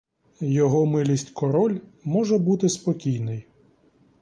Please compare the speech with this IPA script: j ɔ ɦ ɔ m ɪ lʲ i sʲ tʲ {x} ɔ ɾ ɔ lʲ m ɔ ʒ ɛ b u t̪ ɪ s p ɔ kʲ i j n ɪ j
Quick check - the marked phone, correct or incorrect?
incorrect